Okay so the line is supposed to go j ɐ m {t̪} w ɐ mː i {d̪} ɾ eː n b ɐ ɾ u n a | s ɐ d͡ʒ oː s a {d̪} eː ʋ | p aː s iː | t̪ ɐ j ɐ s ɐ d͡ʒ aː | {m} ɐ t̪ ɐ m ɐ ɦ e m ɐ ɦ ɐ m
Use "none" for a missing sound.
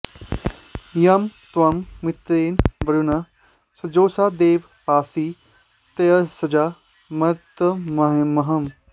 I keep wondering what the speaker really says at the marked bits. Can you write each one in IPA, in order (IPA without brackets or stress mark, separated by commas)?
t̪, t̪, d̪, m